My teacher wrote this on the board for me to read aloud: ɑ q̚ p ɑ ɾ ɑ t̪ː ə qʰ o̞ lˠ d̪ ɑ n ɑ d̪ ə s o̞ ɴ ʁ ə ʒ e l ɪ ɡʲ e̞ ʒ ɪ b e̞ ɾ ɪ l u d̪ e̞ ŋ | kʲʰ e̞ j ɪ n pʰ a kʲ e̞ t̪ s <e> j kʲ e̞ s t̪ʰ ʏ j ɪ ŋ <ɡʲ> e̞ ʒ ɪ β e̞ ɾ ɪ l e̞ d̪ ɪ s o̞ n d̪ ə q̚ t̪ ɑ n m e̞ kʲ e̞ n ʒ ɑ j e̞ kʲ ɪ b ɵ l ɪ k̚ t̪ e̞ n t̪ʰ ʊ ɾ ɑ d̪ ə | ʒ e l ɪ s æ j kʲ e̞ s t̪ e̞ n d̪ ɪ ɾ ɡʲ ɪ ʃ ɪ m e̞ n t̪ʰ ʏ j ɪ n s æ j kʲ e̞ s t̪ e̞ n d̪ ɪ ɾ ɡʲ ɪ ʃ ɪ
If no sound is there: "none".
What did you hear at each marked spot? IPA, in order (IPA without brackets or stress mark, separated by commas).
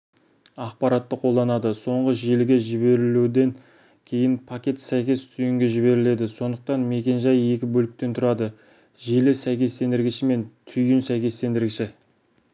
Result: æ, ɡʲ